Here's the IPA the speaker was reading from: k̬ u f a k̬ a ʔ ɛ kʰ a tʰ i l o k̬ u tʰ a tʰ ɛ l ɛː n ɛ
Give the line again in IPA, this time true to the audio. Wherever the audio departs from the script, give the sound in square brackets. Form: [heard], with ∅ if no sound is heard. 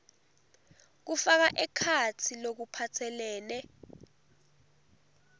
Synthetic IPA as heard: k̬ u f a k̬ a ʔ ɛ kʰ a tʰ i l o k̬ u [pʰ] a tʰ ɛ l ɛː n ɛ